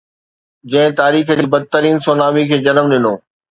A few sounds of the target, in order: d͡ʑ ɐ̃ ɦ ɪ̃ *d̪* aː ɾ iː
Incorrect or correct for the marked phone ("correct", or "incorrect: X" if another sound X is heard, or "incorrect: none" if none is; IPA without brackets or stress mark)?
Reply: incorrect: t̪